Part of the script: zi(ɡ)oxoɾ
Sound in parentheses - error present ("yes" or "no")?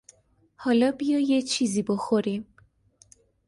yes